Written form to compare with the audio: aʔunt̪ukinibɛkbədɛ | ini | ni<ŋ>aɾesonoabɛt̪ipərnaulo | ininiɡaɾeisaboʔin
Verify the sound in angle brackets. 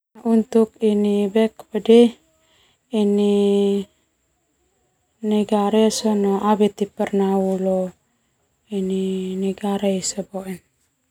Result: incorrect: ɡ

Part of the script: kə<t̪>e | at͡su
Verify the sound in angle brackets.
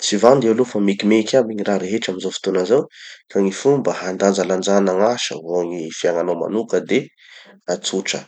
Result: incorrect: d̪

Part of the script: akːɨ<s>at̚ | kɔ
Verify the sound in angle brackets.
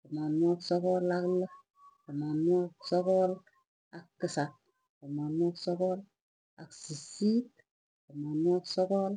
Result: correct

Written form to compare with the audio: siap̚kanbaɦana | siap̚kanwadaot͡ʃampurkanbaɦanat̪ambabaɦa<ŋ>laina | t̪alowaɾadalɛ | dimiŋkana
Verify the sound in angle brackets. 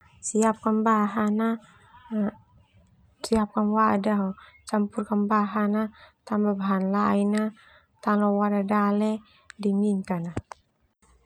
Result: incorrect: n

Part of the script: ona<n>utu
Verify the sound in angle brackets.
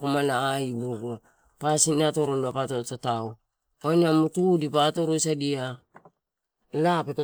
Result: incorrect: m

